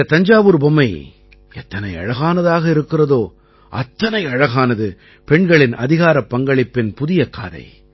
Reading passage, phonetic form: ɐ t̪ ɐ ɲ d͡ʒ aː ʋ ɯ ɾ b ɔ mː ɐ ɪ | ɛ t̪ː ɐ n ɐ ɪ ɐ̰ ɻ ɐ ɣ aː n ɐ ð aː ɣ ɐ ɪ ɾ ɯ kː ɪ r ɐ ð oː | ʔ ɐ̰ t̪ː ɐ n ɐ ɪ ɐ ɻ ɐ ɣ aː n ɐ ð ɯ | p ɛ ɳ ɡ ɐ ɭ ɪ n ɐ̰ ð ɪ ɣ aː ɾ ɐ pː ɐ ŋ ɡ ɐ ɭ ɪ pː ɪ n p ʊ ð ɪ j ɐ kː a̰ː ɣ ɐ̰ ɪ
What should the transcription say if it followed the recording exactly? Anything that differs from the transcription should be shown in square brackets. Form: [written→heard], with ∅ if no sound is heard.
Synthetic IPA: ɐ t̪ ɐ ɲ d͡ʒ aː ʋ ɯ ɾ b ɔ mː ɐ ɪ | ɛ t̪ː ɐ n ɐ ɪ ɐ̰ ɻ ɐ ɣ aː n ɐ ð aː ɣ ɐ ɪ ɾ ɯ kː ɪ r ɐ ð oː | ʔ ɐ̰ t̪ː ɐ n ɐ ɪ ɐ ɻ ɐ ɣ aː n ɐ ð ɯ | p ɛ ɳ ɡ ɐ ɭ ɪ n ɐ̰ ð ɪ ɣ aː ɾ ɐ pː ɐ ŋ ɡ ɐ ɭ ɪ pː ɪ n p ʊ ð ɪ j ɐ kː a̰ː [ɣ→ð] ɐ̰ ɪ